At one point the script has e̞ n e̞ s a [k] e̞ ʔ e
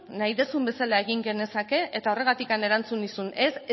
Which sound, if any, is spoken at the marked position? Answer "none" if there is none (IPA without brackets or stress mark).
k